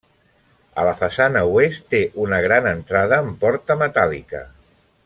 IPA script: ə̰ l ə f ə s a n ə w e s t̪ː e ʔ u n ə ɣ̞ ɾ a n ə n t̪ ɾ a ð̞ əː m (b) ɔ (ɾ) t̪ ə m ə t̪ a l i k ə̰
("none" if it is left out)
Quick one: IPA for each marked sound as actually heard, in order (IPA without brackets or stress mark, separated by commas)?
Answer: p, ɾ